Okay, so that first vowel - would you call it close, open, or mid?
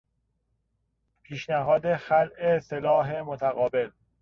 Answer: close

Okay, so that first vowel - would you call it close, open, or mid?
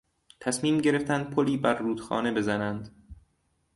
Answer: open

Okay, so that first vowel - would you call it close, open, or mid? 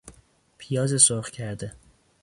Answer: close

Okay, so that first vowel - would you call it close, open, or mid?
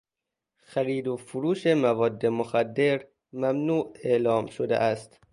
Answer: open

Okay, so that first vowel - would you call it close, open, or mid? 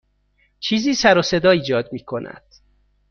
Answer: close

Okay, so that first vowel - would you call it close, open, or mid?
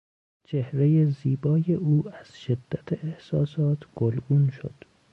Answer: mid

